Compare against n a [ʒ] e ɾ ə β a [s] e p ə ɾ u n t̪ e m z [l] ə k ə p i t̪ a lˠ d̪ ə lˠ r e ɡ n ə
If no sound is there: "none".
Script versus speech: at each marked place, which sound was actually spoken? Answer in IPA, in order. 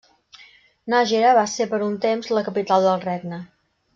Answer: ʒ, s, l

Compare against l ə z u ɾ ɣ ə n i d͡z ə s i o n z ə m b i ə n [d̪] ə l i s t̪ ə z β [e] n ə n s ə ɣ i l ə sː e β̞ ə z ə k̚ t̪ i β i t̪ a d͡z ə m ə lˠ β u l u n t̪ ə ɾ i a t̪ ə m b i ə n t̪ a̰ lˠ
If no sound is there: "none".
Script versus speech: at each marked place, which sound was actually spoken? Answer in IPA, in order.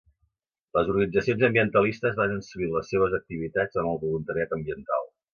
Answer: t̪, a

